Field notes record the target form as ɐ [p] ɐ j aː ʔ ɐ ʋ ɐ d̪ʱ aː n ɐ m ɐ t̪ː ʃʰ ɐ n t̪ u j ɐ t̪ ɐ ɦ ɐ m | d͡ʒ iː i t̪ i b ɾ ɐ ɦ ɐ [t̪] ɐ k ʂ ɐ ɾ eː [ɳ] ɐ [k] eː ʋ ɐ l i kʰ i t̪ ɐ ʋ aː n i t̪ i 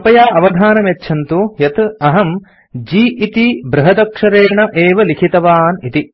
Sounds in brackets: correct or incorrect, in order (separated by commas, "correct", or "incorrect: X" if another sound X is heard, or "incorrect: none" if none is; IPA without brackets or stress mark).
correct, incorrect: d̪, correct, incorrect: ʔ